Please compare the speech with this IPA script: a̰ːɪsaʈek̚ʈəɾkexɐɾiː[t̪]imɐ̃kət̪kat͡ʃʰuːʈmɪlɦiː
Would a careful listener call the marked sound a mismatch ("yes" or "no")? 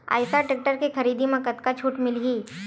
yes